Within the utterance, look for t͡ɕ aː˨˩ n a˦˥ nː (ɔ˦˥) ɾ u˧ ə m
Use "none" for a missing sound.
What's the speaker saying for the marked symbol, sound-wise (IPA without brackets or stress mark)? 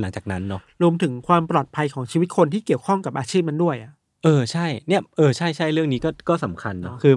ɔ˦˥